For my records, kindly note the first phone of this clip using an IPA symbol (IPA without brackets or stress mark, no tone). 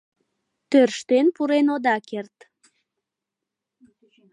t̪